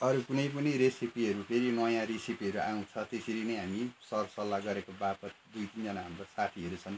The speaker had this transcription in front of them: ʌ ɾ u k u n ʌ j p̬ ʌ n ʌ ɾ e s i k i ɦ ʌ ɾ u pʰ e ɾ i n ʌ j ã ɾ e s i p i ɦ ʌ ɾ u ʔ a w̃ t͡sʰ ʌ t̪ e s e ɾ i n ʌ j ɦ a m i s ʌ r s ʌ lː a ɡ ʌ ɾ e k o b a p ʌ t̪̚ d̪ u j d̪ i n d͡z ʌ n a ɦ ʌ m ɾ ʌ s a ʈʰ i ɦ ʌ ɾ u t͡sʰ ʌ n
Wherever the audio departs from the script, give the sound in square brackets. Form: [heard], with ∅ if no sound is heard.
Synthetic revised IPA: ʌ ɾ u k u n ʌ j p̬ ʌ n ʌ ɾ e s i [p] i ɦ ʌ ɾ u pʰ e ɾ i n ʌ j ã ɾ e s i p i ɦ ʌ ɾ u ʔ a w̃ t͡sʰ ʌ t̪ e s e ɾ i n ʌ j ɦ a m i s ʌ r s ʌ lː a ɡ ʌ ɾ e k o b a p ʌ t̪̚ d̪ u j [t̪] i n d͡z ʌ n a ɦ ʌ m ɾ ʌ s a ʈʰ i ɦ ʌ ɾ u t͡sʰ ʌ n